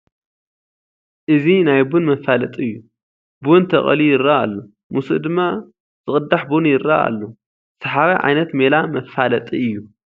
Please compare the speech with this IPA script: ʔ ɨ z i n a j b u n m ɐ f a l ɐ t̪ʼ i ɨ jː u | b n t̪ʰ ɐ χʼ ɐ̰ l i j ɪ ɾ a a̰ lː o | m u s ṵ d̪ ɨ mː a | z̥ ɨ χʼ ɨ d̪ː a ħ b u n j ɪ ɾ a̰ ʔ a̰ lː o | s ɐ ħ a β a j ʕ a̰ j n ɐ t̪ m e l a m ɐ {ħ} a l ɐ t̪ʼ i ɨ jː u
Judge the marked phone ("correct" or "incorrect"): incorrect